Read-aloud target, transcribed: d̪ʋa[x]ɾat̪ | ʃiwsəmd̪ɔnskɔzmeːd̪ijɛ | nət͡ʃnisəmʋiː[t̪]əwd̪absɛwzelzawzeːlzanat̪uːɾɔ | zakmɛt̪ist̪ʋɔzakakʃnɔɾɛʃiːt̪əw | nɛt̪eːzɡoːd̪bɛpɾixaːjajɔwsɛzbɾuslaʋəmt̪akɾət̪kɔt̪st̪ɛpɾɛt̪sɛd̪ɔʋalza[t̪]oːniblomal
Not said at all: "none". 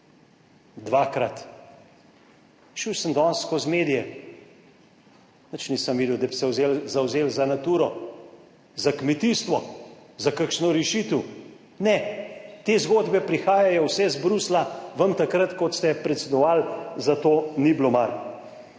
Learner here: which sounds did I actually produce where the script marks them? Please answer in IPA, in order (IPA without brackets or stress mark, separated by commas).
k, d̪, t̪